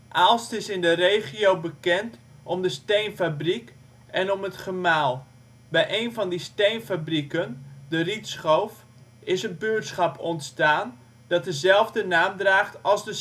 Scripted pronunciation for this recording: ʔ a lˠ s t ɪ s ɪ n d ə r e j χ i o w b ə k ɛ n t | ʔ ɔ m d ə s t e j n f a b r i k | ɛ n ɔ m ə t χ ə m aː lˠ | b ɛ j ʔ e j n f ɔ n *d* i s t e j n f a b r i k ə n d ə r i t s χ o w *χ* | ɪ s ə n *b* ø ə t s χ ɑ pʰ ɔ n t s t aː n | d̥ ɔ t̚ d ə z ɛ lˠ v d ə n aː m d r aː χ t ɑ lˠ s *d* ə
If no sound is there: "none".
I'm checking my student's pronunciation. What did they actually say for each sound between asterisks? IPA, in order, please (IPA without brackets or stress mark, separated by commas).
d, f, b, d